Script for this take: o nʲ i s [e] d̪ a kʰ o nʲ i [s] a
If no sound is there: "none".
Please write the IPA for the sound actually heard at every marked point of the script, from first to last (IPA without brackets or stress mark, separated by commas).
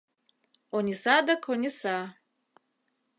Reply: a, s